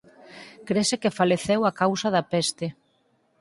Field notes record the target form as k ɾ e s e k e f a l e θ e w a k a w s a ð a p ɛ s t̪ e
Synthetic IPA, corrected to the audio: k ɾ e s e k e f a l e θ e w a k a w s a ð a p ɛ s t̪ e